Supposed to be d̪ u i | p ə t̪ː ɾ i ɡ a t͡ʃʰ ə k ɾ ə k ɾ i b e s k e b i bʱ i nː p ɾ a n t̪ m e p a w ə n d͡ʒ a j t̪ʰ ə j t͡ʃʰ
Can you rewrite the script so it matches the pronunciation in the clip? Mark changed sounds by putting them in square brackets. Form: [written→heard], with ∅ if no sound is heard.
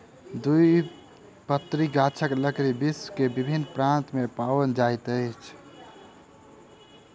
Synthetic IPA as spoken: d̪ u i | p ə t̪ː ɾ i ɡ a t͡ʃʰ ə k [ɾ→l] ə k ɾ i b [e→i] s k e b i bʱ i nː p ɾ a n t̪ m e p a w ə n d͡ʒ a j [t̪ʰ→t̪] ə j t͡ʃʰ